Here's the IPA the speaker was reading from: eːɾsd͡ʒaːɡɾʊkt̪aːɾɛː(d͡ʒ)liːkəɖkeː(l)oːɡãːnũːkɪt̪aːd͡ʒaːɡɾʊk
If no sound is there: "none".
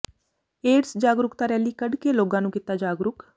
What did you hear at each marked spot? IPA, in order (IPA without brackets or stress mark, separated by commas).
none, l